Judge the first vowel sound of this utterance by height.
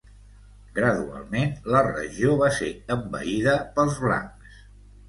mid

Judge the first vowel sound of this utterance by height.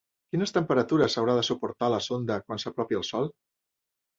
high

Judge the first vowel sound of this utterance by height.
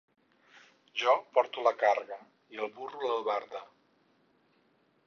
mid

